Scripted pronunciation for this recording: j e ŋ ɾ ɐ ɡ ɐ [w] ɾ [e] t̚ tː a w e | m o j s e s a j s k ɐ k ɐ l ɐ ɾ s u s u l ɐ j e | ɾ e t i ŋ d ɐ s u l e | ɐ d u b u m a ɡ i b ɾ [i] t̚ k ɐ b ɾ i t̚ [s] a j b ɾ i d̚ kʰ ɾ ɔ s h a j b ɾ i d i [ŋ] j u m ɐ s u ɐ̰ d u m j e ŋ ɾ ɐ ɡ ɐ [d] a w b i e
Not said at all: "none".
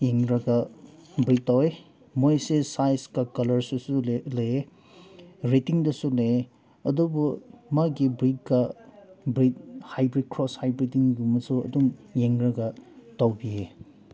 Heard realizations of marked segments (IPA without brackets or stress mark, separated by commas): b, i, i, h, ŋ, t